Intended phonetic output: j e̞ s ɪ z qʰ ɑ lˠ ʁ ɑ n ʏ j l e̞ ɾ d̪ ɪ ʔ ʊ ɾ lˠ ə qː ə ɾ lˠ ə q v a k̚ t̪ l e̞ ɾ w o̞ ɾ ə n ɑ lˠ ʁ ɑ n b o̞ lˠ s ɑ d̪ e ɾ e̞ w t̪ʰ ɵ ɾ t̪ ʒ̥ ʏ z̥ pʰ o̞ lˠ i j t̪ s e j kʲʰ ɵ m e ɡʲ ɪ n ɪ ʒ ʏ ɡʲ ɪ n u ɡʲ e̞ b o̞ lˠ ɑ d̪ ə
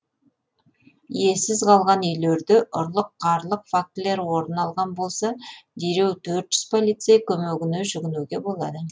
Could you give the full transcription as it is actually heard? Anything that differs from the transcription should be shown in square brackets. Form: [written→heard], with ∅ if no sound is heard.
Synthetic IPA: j e̞ s ɪ z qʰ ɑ lˠ ʁ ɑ n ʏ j l e̞ ɾ d̪ ɪ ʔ ʊ ɾ lˠ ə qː [ə→ɑ] ɾ lˠ ə q [v→f] a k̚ t̪ l e̞ ɾ w o̞ ɾ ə n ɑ lˠ ʁ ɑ n b o̞ lˠ s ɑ d̪ e ɾ e̞ w t̪ʰ ɵ ɾ t̪ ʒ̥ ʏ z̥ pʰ o̞ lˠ i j t̪ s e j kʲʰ ɵ m e ɡʲ ɪ n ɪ ʒ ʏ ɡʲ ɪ n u ɡʲ e̞ b o̞ lˠ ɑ d̪ ə